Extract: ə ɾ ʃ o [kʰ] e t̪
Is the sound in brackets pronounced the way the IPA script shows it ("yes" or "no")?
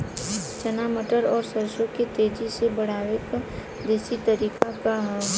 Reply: no